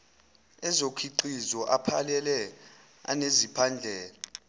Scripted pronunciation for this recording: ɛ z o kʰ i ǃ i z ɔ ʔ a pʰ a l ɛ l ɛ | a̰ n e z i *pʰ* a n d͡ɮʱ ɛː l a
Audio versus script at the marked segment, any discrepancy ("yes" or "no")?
no